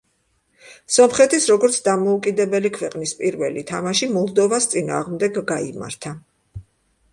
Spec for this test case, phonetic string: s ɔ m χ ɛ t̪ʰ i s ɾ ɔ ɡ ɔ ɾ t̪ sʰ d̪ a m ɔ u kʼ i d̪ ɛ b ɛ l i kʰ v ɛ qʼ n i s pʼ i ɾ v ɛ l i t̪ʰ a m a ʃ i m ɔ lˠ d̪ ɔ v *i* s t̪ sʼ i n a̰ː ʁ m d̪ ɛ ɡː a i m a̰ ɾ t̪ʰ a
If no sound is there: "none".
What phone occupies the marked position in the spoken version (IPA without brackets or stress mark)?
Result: a